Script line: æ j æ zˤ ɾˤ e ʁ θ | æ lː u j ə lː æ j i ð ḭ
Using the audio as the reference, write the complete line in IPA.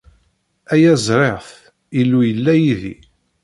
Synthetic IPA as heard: æ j æ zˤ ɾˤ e ʁ θ | i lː u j ə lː æ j i ð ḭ